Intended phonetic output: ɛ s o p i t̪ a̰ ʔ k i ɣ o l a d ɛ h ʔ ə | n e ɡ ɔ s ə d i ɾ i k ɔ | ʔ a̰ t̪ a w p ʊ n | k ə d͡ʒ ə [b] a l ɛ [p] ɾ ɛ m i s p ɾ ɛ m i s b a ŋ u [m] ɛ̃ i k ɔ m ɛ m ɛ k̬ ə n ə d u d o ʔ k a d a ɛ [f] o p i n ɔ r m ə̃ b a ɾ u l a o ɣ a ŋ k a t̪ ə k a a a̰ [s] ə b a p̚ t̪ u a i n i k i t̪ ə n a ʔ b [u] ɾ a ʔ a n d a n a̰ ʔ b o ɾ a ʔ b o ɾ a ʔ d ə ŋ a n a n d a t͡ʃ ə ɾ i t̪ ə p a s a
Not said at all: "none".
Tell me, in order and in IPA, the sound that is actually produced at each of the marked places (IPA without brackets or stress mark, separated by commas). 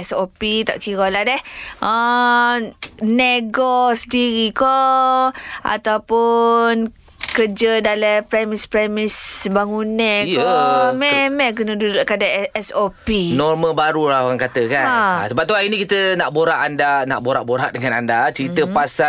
d, p, n, s, s, o